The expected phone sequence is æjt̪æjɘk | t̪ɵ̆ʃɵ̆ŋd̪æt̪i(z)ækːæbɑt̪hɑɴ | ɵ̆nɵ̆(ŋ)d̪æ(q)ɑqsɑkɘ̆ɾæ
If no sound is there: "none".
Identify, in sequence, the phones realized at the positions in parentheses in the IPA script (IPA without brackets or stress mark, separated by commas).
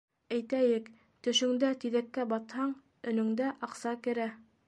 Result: ð, ŋ, ʔ